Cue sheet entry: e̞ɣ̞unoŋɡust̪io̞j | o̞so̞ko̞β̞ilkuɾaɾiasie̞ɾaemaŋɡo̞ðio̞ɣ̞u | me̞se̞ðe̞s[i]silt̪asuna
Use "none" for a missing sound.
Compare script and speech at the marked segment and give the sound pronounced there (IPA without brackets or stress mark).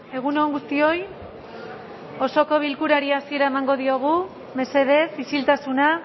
i